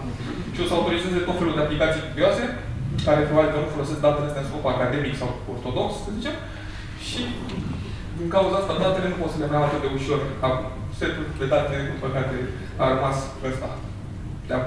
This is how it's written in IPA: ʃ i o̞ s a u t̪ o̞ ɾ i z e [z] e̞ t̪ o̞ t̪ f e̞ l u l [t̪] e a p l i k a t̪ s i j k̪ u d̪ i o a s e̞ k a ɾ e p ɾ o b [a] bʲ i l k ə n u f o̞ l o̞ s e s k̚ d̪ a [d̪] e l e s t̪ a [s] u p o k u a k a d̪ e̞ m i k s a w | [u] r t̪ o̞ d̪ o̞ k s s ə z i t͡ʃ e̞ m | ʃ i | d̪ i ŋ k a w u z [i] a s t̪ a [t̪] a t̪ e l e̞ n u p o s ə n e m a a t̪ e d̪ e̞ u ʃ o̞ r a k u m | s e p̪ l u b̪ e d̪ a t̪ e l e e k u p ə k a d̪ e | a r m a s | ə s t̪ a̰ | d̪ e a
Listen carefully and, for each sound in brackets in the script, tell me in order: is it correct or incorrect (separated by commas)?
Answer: correct, incorrect, correct, incorrect, correct, incorrect, incorrect, incorrect